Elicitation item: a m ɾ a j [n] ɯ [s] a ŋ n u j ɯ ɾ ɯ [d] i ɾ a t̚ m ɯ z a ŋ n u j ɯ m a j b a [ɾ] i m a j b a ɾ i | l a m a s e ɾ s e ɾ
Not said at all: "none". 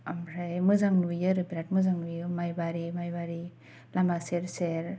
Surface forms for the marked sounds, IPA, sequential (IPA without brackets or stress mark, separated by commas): m, z, b, ɾ